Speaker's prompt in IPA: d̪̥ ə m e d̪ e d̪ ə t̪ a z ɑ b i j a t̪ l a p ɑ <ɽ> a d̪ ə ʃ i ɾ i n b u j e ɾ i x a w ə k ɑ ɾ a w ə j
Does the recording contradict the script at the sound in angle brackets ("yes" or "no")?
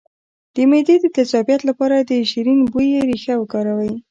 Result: yes